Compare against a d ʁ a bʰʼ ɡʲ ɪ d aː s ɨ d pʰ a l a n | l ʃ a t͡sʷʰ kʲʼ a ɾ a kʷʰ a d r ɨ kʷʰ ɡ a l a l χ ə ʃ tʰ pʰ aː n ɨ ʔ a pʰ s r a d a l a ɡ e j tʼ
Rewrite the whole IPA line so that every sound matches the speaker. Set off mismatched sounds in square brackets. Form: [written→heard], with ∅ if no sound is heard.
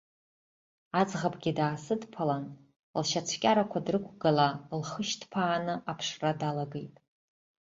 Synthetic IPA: a [d→d͡z] ʁ a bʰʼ ɡʲ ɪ d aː s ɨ d pʰ a l a n | l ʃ a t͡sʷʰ kʲʼ a ɾ a kʷʰ a d r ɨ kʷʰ ɡ a l a l χ ə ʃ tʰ pʰ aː n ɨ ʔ a pʰ [s→ʂ] r a d a l a ɡ e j tʼ